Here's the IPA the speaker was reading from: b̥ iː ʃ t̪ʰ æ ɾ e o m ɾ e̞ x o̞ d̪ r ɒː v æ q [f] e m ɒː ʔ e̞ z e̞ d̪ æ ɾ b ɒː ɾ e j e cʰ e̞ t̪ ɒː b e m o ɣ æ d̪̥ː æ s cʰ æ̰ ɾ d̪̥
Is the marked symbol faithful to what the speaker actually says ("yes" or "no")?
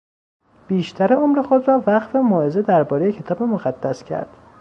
yes